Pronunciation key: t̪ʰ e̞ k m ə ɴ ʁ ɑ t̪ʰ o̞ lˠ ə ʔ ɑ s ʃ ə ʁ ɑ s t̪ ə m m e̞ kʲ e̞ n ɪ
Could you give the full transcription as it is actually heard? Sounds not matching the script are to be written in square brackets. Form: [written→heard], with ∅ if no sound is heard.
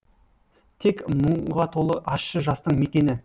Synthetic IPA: t̪ʰ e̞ k m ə ɴ ʁ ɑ t̪ʰ o̞ lˠ ə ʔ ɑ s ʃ ə [ʁ→ʒ] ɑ s t̪ ə [m→ɴ] m e̞ kʲ e̞ n ɪ